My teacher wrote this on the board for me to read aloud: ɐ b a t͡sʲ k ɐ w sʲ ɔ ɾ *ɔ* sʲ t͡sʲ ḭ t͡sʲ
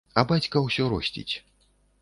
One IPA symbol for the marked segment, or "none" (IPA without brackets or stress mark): ɔ